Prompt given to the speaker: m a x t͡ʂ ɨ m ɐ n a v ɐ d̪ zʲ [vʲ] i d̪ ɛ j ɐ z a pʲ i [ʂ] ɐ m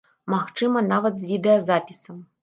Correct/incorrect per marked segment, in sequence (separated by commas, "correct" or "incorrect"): correct, incorrect